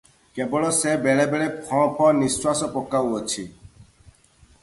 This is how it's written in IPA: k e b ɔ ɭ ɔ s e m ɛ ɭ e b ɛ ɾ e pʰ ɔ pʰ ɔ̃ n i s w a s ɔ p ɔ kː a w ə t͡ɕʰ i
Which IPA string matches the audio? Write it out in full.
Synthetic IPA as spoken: k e b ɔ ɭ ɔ s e b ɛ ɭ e b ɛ ɭ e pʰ ɔ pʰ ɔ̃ n i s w a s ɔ p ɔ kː a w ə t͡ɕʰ i